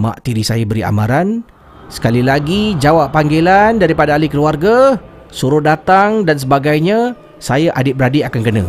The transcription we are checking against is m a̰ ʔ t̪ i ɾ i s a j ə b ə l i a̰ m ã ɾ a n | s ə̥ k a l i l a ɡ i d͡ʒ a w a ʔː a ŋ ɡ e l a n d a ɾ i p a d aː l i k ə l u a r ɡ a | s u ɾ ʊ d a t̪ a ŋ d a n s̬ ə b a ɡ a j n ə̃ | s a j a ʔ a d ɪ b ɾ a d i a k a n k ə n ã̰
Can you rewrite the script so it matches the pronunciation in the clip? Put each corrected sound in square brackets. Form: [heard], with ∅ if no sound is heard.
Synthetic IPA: m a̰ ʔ t̪ i ɾ i s a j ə b ə [ɾ] i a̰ m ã ɾ a n | s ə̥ k a l i l a ɡ i d͡ʒ a w a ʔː a ŋ ɡ e l a n d a ɾ i p a d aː l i k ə l u a r ɡ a | s u ɾ ʊ d a t̪ a ŋ d a n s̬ ə b a ɡ a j [ɲ] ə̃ | s a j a ʔ a d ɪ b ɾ a d i a k a n k ə n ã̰